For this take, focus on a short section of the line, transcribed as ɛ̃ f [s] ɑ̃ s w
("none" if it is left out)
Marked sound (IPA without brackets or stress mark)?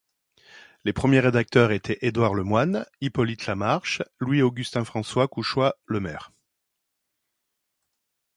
χ